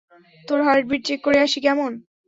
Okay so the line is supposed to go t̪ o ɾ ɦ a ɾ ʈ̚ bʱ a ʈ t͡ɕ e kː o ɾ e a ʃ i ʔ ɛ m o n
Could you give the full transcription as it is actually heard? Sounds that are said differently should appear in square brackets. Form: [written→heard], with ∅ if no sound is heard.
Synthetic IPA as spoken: t̪ o ɾ ɦ a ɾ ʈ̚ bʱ [a→i] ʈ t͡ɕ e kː o ɾ e a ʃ i [ʔ→k] ɛ m o n